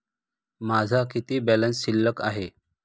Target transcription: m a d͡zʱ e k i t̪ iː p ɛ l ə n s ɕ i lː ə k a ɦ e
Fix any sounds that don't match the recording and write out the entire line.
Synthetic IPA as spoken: m a d͡zʱ a k i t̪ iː b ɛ l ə n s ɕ i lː ə k a ɦ e